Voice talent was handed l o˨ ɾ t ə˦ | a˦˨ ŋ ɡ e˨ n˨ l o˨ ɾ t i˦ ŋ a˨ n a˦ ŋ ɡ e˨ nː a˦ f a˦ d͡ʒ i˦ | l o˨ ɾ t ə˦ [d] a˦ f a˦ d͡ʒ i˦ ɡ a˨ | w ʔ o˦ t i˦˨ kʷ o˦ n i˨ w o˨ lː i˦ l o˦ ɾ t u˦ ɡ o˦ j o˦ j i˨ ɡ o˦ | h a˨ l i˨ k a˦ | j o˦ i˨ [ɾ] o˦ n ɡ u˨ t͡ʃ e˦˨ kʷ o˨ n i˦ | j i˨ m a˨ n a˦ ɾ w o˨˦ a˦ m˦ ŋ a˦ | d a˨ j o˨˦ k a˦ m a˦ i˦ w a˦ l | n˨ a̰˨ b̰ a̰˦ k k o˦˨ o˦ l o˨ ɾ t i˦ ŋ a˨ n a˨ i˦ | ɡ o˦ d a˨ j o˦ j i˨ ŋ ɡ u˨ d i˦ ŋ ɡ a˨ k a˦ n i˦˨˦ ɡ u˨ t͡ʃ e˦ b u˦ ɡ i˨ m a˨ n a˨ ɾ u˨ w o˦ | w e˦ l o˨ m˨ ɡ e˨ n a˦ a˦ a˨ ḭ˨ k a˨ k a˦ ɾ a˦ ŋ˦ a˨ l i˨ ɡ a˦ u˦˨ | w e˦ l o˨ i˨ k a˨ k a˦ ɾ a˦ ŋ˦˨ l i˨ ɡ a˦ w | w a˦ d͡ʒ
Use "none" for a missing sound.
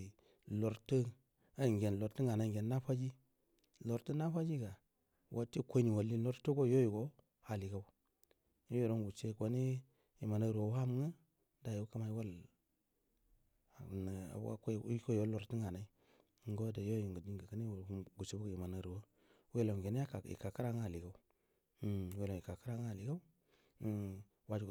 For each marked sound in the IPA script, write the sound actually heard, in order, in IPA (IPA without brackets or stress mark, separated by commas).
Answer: n, ɾ